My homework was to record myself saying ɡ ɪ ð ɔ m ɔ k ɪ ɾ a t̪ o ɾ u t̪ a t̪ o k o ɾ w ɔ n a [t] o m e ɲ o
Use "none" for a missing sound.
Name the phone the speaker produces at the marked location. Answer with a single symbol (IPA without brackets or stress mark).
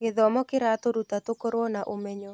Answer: ʔ